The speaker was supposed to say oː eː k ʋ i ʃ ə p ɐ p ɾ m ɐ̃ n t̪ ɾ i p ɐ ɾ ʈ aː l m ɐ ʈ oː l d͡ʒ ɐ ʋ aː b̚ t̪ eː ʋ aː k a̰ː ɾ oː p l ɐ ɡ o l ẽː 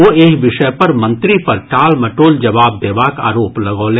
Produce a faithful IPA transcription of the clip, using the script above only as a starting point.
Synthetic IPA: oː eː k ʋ ɪ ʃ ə p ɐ ɾ m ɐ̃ n t̪ ɾ i p ɐ ɾ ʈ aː l m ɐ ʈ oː l d͡ʒ ɐ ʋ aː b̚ d̪ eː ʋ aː k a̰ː ɾ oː p l ɐ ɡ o l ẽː